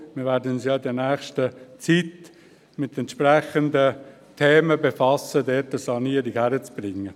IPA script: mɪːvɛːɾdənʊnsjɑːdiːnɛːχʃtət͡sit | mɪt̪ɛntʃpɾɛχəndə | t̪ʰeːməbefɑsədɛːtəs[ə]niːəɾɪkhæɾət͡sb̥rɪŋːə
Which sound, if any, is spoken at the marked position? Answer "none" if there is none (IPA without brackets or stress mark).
ɑ